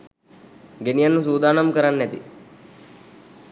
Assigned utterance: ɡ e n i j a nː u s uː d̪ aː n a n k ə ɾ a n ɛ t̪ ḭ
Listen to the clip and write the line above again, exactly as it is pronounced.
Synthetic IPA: ɡ e n i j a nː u s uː d̪ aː n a m k ə ɾ a nː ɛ t̪ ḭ